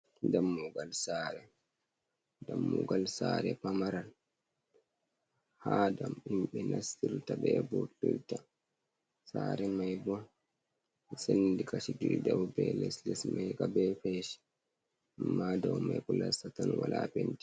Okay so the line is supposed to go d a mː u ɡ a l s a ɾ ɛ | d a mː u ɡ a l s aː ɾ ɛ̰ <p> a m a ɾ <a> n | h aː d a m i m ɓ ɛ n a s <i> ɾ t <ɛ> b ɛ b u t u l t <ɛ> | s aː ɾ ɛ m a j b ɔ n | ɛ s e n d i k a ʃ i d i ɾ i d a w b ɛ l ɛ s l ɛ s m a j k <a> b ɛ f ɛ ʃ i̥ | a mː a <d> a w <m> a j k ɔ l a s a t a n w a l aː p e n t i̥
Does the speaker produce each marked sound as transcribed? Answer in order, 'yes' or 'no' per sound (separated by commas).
yes, yes, yes, no, no, yes, yes, yes